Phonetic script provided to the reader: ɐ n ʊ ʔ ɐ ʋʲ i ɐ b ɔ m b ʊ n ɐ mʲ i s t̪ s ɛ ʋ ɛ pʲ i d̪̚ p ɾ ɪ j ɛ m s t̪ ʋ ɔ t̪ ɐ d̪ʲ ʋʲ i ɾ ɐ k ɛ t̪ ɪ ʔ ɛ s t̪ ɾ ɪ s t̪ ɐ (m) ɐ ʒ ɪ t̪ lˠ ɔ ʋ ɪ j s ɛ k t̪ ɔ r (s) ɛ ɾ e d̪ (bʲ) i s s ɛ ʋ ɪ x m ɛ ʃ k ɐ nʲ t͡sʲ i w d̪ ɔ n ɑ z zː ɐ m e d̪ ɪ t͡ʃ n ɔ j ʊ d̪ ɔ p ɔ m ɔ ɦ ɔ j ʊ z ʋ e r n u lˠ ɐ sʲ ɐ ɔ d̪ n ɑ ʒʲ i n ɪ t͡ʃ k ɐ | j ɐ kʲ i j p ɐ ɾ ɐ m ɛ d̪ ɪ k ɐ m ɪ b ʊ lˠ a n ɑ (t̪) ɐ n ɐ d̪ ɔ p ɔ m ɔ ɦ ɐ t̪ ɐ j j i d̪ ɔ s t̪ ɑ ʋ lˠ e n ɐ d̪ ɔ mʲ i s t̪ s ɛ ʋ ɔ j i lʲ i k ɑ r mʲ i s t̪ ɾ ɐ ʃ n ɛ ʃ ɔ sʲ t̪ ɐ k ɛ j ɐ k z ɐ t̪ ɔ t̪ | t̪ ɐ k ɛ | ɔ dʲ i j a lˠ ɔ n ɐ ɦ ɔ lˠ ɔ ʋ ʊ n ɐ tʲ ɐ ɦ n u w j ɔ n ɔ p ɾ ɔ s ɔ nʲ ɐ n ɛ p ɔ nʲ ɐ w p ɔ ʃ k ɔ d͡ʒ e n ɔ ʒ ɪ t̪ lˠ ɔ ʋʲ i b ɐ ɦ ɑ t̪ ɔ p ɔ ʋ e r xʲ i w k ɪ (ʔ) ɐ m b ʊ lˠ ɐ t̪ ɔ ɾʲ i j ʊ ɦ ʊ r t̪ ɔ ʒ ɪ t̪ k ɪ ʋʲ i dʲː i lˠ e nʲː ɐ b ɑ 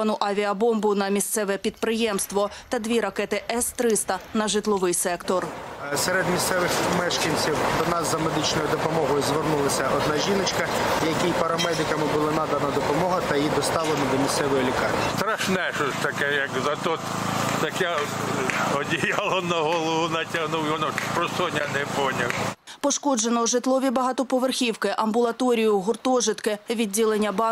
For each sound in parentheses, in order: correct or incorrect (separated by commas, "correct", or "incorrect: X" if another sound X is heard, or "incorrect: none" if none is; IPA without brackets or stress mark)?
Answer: incorrect: n, correct, incorrect: mʲ, incorrect: d̪, correct